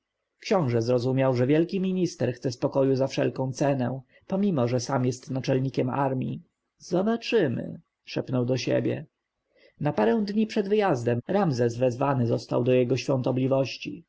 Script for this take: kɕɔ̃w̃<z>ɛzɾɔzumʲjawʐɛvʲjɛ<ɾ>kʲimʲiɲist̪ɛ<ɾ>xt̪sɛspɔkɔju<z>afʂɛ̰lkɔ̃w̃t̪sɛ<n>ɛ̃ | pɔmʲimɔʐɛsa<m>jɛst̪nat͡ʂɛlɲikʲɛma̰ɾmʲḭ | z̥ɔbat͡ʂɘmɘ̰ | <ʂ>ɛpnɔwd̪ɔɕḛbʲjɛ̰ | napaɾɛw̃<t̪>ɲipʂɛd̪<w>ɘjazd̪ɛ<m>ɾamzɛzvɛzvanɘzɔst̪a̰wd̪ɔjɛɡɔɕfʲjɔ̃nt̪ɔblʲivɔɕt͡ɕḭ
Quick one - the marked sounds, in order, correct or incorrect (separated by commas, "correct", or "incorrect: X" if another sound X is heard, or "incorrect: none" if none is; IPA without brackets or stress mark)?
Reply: incorrect: ʐ, incorrect: l, correct, correct, correct, correct, correct, incorrect: d̪, incorrect: v, correct